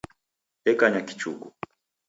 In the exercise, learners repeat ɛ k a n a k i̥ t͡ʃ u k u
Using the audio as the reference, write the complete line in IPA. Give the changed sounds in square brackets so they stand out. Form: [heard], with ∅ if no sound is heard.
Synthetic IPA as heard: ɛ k a [ɲ] a k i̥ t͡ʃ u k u